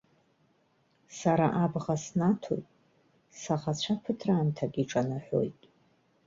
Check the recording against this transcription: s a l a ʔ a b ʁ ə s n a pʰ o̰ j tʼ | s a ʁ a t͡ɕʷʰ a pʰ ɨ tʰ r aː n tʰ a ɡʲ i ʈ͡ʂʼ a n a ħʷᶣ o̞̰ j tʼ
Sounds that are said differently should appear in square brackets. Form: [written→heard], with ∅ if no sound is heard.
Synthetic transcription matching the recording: s a [l→ɾ] a ʔ a b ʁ [ə→a] s n a [pʰ→tʰ] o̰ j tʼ | s a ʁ a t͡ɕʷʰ a pʰ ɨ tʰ r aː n tʰ a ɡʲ i ʈ͡ʂʼ a n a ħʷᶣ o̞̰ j tʼ

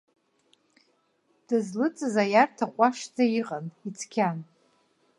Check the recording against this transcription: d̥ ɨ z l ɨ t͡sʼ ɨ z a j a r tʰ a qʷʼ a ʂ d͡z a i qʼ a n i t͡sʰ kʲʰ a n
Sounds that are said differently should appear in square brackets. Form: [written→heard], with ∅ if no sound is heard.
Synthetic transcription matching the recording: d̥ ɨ z l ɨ t͡sʼ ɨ z a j a r tʰ a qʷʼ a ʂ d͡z a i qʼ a n i t͡sʰ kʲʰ a n

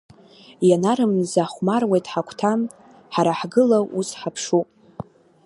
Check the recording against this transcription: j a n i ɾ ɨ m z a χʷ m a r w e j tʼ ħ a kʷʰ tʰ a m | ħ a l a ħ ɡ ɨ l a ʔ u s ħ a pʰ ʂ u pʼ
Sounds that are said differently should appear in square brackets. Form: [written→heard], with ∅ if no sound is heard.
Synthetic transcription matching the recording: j a n [i→a] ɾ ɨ m z a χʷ m a r w e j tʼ ħ a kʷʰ tʰ a m | ħ a [l→ɾ] a ħ ɡ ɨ l a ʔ u s ħ a pʰ ʂ u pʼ

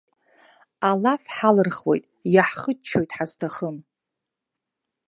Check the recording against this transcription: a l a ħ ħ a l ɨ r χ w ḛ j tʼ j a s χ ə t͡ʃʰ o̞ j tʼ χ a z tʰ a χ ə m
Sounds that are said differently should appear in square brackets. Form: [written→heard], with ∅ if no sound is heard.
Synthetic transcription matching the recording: a l a [ħ→f] ħ a l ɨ r χ w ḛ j tʼ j a [s→ħ] χ ə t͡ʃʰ o̞ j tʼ [χ→ħ] a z tʰ a χ ə m

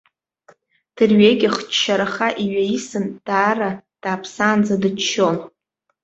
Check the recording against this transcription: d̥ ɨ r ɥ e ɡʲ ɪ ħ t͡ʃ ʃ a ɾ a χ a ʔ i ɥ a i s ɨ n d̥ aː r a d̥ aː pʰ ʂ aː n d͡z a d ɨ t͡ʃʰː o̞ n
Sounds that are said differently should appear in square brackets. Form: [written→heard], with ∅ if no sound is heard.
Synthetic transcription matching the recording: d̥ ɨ r ɥ e ɡʲ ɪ [ħ→χ] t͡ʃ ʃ a ɾ a χ a ʔ i ɥ a i s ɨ n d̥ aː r a d̥ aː pʰ [ʂ→s] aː n d͡z a d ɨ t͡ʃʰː o̞ n

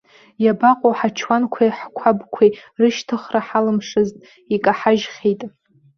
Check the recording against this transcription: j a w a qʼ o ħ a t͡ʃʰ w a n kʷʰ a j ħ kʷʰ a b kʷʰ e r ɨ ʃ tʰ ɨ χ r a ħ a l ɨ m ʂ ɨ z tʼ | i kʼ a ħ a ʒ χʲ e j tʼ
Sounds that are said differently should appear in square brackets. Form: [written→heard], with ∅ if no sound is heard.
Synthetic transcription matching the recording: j a [w→b] a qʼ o ħ a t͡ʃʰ w a n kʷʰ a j ħ kʷʰ a b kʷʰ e r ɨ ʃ tʰ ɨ χ r a ħ a l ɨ m ʂ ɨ z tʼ | i kʼ a ħ a ʒ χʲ e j tʼ

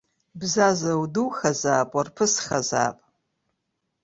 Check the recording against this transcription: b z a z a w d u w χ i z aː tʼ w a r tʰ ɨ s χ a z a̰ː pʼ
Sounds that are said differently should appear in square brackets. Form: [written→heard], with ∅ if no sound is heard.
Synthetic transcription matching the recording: b z a z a w d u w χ [i→a] z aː [tʼ→pʼ] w a r [tʰ→pʰ] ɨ s χ a z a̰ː pʼ

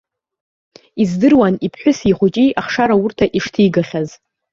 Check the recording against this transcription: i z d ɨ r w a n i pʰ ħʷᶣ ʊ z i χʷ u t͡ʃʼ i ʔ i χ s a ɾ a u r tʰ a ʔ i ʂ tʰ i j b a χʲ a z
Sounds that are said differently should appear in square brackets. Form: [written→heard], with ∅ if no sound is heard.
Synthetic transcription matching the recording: i z d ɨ r w a n i pʰ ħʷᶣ ʊ [z→s] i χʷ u t͡ʃʼ i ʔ [i→a] χ [s→ʂ] a ɾ a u r tʰ a ʔ i ʂ tʰ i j [b→ɡ] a χʲ a z

